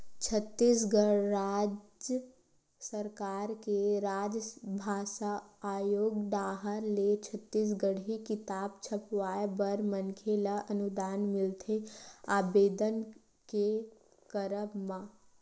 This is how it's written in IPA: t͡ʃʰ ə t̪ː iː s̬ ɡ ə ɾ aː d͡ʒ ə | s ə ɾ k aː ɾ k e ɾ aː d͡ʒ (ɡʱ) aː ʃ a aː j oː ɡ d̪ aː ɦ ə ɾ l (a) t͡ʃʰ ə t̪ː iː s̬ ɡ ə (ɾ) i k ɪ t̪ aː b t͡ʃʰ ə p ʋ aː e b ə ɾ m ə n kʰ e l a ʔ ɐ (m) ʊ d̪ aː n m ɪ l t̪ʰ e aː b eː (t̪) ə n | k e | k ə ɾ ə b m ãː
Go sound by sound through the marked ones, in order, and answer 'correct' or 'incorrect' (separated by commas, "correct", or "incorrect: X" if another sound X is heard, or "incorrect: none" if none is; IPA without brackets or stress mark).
incorrect: bʱ, incorrect: e, incorrect: ɽ, incorrect: n, incorrect: d̪